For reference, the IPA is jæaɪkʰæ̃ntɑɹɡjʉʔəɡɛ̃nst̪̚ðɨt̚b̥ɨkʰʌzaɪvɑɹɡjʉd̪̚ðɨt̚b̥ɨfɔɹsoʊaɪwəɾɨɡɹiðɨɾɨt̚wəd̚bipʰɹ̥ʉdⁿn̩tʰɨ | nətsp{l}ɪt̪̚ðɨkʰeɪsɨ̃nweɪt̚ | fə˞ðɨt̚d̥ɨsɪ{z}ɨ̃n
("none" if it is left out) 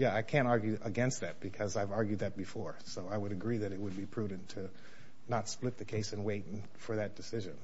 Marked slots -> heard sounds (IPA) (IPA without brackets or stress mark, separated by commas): l, ʒ